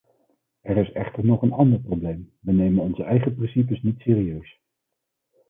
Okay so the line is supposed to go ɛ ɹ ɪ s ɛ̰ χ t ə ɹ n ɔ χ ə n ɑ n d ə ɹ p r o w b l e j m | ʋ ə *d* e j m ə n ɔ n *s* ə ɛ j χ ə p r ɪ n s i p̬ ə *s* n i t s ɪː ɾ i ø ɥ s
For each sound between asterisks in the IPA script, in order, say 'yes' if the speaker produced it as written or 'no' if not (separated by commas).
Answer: no, no, yes